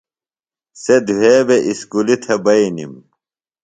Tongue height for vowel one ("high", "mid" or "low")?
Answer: mid